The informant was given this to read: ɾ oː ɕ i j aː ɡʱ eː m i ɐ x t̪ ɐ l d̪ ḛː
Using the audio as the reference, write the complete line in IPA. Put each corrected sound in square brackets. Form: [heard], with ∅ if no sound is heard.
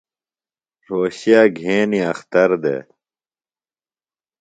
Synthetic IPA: ɾ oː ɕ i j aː ɡʱ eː [n] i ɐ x t̪ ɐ [ɾ] d̪ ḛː

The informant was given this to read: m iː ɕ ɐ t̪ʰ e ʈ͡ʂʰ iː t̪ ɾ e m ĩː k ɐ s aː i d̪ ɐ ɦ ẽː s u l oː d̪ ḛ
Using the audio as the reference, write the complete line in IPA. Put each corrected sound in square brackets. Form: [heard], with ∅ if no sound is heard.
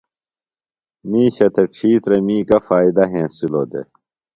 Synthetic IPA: m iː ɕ ɐ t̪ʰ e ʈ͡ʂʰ iː t̪ ɾ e m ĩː k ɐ [f] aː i d̪ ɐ ɦ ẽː s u l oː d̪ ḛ

